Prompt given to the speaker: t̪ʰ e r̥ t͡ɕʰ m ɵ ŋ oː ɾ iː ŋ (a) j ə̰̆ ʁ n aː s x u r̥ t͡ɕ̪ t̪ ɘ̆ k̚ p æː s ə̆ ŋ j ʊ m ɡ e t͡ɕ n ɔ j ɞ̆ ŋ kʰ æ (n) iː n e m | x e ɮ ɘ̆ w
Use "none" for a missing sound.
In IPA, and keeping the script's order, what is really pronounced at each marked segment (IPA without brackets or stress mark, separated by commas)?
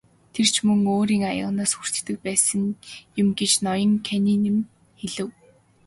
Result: a, n